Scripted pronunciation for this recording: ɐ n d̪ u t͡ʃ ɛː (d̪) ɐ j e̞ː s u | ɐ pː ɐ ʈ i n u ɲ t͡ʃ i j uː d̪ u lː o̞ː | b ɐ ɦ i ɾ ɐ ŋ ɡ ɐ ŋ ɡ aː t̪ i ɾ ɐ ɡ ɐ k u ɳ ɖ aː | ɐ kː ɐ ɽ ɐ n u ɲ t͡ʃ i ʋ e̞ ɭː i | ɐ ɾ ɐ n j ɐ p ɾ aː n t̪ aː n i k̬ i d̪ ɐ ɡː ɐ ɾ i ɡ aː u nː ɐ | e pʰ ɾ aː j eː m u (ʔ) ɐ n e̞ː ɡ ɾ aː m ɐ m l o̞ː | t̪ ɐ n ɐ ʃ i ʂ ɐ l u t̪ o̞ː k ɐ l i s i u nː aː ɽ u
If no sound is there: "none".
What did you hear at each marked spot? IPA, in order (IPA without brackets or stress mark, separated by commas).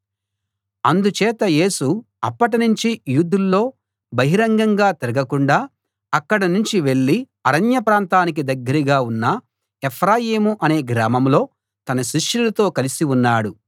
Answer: t̪, ʔ